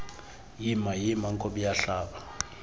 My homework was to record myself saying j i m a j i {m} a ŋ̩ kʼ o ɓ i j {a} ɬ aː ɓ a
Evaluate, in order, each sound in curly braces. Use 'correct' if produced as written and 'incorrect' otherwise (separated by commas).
correct, correct